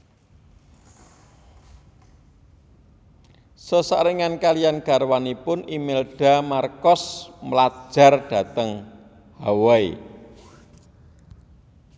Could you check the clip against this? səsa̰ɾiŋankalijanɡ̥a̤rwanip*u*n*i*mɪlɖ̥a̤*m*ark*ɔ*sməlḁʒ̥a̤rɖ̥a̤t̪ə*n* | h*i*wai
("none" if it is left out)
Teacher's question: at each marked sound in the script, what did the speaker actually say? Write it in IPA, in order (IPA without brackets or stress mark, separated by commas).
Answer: ʊ, i, m, ɔ, ŋ, a